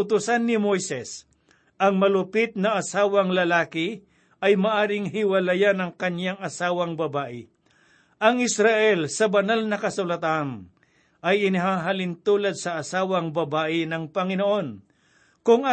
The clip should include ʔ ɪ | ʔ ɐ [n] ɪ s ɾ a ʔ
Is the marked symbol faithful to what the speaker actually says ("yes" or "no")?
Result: no